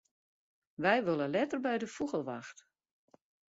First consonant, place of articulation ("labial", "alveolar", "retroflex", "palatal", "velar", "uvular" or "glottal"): labial